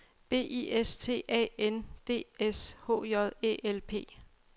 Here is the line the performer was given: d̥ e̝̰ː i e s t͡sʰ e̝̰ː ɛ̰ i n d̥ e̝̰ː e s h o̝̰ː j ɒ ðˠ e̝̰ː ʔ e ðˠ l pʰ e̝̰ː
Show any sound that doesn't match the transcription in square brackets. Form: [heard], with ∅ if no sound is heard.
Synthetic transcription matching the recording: [b̥] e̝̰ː i e s t͡sʰ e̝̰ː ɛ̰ [e] n d̥ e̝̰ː e s h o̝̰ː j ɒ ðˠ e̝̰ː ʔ e [∅] l pʰ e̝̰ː